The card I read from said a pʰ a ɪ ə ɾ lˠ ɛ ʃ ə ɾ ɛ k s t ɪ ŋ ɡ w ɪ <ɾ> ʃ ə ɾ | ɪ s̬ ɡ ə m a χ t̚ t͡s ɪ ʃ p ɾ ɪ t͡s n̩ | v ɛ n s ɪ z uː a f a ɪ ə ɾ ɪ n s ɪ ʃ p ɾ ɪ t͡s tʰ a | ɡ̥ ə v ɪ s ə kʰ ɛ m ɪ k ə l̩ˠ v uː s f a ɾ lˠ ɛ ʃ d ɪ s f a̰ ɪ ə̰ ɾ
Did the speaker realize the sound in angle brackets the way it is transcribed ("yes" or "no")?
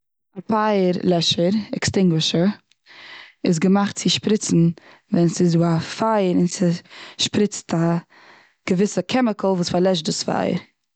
no